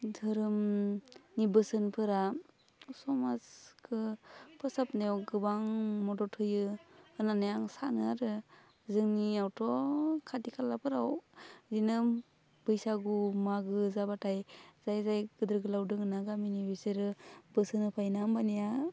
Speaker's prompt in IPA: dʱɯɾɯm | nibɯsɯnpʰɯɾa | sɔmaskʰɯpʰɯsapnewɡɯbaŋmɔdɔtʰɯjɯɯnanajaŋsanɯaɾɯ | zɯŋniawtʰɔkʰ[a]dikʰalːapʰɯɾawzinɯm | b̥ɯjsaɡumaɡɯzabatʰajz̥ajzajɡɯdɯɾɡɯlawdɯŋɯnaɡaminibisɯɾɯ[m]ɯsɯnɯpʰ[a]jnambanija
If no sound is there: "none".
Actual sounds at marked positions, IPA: a, b, a

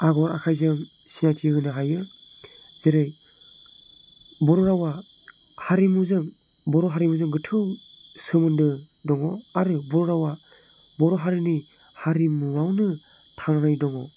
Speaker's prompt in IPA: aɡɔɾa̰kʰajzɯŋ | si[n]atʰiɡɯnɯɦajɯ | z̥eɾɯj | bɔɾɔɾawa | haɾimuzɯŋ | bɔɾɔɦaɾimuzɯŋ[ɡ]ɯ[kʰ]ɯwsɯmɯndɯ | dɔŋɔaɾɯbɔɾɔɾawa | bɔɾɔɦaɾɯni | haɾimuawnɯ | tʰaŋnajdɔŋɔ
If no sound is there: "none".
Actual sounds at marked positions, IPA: n, ɡ, tʰ

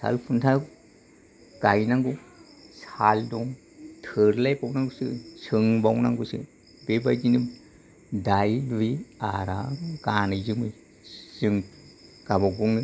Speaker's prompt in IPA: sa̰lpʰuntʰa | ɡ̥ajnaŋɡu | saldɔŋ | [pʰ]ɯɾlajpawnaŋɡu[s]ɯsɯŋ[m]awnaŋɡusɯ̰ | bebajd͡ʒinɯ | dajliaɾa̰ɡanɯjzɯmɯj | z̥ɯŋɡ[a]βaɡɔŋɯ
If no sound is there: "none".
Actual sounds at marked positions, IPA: tʰ, s, b, a

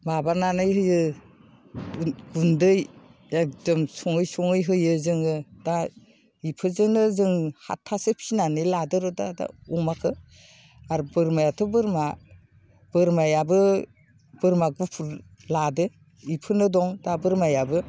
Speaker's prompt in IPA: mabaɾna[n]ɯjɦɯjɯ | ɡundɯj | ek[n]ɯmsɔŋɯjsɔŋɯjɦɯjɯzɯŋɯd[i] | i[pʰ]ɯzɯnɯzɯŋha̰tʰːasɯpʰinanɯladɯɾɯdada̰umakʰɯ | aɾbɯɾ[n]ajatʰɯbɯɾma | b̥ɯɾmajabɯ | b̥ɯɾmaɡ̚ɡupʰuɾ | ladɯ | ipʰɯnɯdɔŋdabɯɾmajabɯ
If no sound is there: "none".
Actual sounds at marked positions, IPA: n, d, a, pʰ, m

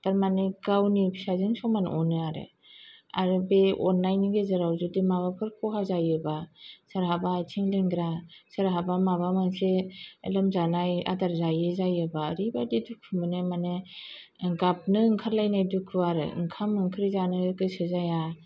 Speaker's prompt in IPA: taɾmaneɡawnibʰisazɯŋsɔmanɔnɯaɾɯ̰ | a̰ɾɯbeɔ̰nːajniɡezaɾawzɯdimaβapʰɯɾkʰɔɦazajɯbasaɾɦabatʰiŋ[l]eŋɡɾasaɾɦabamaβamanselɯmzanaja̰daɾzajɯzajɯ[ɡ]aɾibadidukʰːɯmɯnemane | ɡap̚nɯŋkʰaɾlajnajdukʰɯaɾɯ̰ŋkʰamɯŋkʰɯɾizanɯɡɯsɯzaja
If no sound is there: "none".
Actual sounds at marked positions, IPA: l, b

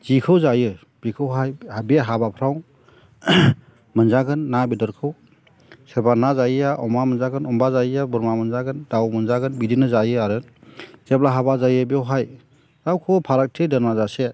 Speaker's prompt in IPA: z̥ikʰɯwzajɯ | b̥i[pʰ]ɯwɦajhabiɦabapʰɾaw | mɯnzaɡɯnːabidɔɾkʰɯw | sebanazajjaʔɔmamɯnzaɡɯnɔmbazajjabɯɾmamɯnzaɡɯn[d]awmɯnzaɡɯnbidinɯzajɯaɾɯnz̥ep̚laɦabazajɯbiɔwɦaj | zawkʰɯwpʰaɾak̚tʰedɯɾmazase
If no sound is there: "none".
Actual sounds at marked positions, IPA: kʰ, d

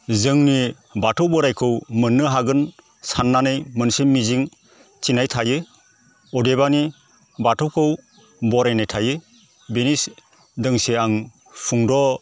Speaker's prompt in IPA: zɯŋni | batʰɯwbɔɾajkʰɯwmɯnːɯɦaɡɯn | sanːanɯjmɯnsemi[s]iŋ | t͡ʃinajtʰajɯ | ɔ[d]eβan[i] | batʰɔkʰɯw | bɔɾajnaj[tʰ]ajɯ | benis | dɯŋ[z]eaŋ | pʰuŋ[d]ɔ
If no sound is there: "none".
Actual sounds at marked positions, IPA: z, d, i, tʰ, s, d

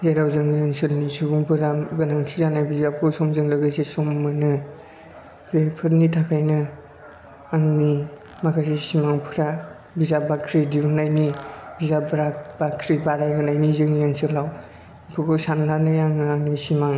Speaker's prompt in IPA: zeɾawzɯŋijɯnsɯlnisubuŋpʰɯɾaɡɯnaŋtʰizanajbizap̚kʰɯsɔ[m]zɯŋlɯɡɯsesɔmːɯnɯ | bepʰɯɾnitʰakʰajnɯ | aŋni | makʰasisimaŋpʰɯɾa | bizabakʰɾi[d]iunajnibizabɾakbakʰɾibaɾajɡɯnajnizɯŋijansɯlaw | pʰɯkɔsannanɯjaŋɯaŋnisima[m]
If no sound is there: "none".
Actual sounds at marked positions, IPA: m, d, ŋ

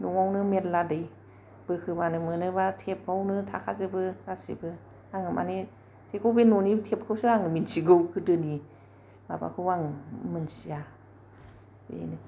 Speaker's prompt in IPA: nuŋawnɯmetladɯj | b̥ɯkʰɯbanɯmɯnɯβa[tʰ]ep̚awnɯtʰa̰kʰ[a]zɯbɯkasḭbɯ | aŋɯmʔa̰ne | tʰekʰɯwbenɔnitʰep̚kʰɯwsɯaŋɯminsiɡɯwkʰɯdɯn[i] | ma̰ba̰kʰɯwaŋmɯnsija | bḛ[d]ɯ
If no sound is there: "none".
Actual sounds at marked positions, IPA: tʰ, a, i, n

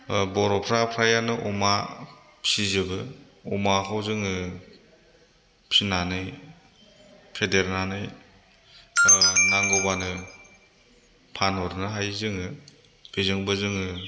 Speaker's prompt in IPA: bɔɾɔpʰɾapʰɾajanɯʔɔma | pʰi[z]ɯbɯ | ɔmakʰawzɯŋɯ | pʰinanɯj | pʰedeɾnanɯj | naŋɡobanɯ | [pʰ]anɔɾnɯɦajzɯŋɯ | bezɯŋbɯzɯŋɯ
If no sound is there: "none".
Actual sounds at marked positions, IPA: z, pʰ

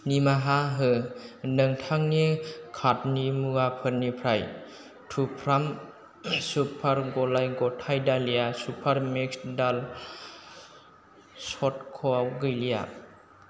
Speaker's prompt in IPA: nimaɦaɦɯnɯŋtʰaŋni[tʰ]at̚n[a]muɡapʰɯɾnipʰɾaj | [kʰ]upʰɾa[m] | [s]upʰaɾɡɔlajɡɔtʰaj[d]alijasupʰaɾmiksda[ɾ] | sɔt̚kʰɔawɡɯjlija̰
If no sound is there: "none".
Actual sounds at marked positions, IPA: kʰ, i, tʰ, m, s, d, l

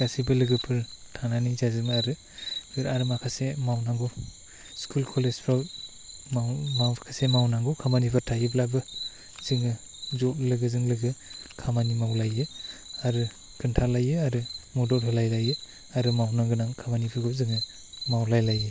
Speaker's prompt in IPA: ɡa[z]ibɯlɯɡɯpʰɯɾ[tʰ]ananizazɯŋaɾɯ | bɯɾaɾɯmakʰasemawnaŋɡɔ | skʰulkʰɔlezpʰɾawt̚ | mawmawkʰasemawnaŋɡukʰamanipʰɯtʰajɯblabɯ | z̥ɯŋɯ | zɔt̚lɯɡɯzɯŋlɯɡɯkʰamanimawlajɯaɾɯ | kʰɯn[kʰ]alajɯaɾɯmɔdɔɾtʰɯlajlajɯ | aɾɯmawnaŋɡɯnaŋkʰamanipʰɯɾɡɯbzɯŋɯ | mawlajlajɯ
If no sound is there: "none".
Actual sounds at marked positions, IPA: s, tʰ, tʰ

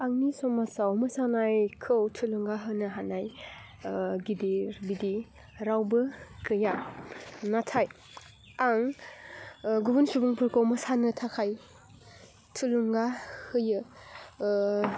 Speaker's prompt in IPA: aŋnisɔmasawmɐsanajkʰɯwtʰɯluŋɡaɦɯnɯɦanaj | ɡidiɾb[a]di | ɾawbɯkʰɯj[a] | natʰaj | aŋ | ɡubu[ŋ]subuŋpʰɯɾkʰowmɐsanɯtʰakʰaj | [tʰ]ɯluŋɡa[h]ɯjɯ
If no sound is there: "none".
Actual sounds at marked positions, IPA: i, a, n, tʰ, h

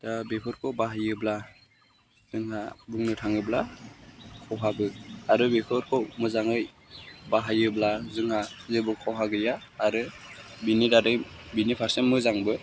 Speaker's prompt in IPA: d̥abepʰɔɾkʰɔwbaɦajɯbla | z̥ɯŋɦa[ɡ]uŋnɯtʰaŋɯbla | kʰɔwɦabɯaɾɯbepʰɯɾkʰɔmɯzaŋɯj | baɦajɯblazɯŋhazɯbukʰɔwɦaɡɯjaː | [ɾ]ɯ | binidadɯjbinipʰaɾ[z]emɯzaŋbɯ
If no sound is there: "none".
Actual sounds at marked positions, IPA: b, ɾ, s

